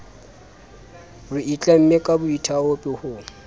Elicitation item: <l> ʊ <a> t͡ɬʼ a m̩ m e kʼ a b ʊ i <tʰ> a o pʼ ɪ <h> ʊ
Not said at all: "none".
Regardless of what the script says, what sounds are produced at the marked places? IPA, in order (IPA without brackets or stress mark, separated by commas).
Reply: r, i, tʰ, h